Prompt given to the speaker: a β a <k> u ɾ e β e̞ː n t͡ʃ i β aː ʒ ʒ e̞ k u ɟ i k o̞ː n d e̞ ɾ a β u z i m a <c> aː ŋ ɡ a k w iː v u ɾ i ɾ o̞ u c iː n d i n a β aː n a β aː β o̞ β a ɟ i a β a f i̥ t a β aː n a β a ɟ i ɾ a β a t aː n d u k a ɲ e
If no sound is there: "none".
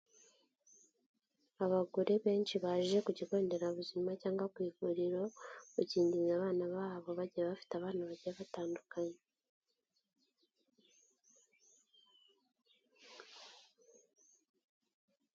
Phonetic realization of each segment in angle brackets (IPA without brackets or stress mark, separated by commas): ɡ, c